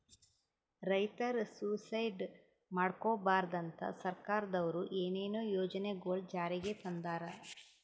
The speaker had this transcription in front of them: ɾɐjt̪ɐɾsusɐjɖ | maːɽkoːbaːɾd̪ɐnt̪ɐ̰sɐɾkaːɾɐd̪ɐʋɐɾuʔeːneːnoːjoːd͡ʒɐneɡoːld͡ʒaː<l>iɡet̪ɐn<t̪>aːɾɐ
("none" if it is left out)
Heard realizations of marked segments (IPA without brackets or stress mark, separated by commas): ɾ, d̪